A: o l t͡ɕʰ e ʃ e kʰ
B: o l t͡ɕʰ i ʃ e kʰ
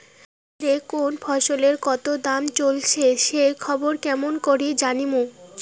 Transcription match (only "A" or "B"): A